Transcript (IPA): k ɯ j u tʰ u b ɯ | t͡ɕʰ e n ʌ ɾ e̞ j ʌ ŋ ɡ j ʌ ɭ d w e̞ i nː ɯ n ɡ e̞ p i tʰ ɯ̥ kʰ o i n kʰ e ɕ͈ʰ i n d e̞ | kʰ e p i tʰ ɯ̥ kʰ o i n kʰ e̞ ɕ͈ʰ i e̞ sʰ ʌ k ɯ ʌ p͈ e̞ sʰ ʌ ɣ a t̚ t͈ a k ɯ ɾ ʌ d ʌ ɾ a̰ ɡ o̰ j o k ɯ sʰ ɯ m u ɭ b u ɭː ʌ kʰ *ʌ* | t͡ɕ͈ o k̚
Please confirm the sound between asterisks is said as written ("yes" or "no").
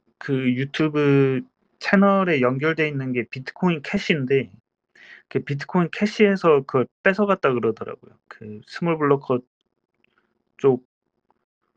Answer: yes